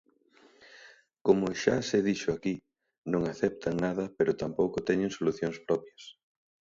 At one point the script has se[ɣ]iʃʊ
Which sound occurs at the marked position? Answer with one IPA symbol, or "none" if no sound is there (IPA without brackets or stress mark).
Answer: ð